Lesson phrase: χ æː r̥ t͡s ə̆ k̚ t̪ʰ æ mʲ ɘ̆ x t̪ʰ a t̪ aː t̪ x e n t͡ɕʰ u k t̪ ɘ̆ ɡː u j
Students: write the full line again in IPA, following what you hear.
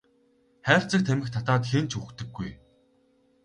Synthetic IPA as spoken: χ æː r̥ t͡s ə̆ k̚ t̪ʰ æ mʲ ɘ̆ x t̪ʰ a t̪ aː t̪ x e n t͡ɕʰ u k t̪ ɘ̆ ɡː u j